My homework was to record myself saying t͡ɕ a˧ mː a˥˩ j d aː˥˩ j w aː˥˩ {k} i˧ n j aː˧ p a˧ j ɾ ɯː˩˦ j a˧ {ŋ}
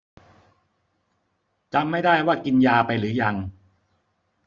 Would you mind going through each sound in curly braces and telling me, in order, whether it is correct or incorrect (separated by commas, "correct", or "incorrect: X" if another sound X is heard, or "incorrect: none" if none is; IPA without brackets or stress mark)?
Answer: correct, correct